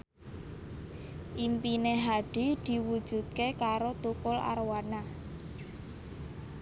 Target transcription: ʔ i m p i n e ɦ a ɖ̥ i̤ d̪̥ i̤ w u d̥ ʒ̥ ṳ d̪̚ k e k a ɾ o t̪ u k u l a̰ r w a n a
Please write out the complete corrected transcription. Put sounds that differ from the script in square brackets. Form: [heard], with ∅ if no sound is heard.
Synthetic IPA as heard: ʔ i m p i n e ɦ a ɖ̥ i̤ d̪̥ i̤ w u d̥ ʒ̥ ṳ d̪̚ k e k a ɾ o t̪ u k [ʊ] l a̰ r w a n a